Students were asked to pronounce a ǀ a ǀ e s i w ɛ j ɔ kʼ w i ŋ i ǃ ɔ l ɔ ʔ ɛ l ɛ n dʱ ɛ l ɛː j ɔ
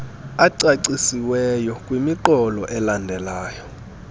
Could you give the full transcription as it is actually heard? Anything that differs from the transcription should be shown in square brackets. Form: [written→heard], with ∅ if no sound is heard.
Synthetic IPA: a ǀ a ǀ [e→i] s i w ɛ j ɔ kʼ w i [ŋ→m] i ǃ ɔ l ɔ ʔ ɛ l [ɛ→a] n dʱ ɛ l [ɛː→aː] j ɔ